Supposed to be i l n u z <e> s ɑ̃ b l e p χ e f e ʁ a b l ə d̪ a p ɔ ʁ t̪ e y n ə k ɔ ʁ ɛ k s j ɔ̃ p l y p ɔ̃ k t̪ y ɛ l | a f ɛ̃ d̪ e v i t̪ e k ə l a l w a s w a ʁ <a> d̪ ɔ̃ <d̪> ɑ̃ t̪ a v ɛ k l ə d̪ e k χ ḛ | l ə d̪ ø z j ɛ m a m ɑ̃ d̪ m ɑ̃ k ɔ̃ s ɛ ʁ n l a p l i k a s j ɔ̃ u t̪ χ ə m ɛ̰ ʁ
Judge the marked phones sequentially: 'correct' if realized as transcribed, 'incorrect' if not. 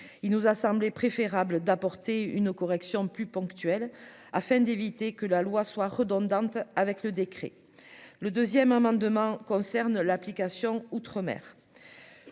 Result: incorrect, incorrect, correct

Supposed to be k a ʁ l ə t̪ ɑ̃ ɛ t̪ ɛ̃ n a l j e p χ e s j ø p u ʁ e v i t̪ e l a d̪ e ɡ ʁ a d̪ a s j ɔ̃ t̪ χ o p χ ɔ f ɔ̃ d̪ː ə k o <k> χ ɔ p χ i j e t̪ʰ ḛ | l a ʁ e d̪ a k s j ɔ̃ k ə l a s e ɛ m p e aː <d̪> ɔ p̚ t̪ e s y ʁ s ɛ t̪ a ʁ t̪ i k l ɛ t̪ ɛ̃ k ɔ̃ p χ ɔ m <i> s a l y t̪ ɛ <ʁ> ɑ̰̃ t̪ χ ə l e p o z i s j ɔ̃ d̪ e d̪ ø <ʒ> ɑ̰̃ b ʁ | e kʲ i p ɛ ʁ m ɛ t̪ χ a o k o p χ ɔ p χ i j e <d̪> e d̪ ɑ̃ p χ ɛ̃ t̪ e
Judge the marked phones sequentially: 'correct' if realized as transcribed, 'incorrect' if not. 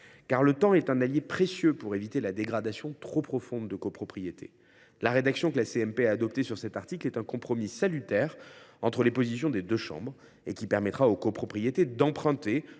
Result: incorrect, correct, correct, correct, incorrect, incorrect

